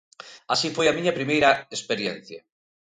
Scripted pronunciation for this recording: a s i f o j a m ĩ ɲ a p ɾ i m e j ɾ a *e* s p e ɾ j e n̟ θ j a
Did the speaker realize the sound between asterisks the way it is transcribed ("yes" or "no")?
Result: yes